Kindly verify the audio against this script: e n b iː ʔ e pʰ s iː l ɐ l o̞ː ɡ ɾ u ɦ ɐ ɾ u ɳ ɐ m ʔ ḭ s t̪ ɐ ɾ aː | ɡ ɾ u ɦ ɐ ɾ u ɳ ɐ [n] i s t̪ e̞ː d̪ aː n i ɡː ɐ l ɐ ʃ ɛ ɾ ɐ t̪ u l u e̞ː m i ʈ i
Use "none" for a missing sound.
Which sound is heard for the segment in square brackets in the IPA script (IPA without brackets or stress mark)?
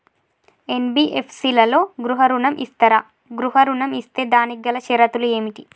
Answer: m